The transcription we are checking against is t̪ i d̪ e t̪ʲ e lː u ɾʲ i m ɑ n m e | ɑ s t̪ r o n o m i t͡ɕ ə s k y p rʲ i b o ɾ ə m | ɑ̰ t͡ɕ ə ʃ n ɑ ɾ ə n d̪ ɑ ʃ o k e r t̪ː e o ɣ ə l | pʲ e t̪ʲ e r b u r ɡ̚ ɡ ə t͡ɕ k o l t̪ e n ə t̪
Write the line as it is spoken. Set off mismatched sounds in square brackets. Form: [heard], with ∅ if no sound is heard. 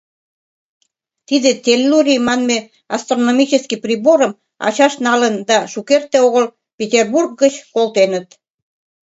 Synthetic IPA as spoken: t̪ i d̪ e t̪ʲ e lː u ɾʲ i m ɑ n m e | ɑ s t̪ r o n o m i t͡ɕ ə s k [i] p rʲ i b o ɾ ə m | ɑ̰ t͡ɕ [ɑ] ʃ n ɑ [l] ə n d̪ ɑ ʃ [u] k e r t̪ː e o ɣ ə l | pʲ e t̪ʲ e r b u r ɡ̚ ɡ ə t͡ɕ k o l t̪ e n ə t̪